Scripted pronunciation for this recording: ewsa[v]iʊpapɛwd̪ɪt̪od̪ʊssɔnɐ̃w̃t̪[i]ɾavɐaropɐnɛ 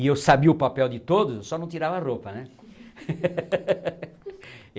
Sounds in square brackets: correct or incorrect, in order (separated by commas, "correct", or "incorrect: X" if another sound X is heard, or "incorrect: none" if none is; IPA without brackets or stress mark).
incorrect: b, correct